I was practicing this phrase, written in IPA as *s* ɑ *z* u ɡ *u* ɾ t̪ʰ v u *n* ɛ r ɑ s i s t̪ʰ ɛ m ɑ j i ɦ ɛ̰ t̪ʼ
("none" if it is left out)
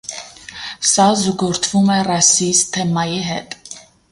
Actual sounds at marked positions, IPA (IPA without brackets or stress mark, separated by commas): s, z, ɔ, m